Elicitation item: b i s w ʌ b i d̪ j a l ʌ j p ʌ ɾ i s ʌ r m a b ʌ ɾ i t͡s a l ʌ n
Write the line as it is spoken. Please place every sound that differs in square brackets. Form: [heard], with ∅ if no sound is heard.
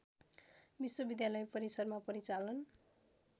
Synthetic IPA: b i s w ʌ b i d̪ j a l ʌ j p ʌ ɾ i s ʌ r m a [p] ʌ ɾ i t͡s a l ʌ n